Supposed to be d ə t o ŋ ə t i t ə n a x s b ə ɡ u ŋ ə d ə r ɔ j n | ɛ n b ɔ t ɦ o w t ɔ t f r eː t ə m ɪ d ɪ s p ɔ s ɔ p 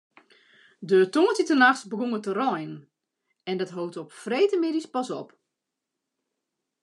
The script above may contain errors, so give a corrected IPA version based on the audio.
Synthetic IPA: d ə t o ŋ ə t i t ə n a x s b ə ɡ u ŋ ə t ə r ɔ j n | ɛ n d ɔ t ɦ o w t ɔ p f r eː t ə m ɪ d i s p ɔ s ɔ p